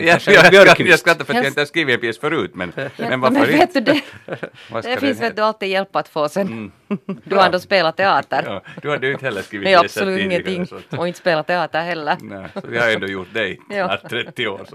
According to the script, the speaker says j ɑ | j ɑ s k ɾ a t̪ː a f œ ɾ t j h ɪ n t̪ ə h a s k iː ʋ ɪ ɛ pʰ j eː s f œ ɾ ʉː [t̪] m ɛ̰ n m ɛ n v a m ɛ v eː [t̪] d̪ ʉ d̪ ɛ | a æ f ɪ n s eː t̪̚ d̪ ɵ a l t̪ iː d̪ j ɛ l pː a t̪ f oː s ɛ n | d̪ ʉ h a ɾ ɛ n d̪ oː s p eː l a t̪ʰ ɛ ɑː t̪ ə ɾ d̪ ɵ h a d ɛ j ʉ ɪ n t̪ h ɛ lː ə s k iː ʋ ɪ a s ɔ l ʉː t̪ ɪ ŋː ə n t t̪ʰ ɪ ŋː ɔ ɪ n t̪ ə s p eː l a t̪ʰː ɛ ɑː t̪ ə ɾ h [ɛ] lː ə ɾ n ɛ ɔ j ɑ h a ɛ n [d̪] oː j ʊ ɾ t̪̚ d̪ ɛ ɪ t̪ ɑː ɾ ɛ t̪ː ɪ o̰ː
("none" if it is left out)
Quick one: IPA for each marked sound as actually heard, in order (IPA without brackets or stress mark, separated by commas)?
t̪, t̪, ɛ, d̪